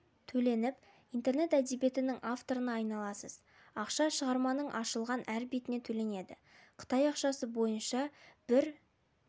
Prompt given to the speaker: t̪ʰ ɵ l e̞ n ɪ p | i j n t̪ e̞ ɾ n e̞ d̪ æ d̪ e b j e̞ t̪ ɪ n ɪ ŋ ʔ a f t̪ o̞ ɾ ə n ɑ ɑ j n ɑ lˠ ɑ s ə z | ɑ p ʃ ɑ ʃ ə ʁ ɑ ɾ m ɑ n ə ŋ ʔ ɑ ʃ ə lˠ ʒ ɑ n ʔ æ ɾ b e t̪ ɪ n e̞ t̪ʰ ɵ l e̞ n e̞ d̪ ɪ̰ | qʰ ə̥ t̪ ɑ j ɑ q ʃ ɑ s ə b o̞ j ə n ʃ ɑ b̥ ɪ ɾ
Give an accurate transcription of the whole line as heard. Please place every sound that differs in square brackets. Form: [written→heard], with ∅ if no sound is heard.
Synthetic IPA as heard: t̪ʰ ɵ l e̞ n ɪ p | i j n t̪ e̞ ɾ n e̞ [d̪→t̪] æ d̪ e b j e̞ t̪ ɪ n ɪ ŋ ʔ a f t̪ o̞ ɾ ə n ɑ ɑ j n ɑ lˠ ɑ s ə z | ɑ [p→q] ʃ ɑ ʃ ə ʁ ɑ ɾ m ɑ n ə [ŋ→ɴ] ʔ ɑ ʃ ə lˠ [ʒ→ʁ] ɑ n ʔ æ ɾ b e t̪ ɪ n e̞ t̪ʰ ɵ l e̞ n e̞ d̪ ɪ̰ | qʰ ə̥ t̪ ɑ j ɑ q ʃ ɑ s ə b o̞ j ə n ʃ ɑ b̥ ɪ ɾ